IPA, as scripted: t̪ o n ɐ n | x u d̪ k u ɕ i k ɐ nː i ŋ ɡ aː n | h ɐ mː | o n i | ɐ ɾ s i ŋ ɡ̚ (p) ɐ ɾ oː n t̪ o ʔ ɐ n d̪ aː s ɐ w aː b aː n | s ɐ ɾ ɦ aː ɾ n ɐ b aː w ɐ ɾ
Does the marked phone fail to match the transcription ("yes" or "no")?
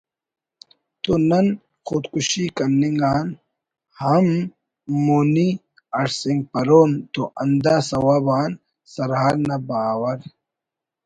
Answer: no